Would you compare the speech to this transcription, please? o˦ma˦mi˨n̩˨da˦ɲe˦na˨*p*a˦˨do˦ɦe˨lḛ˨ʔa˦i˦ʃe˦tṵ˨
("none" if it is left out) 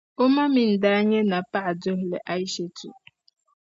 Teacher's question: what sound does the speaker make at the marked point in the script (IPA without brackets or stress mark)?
p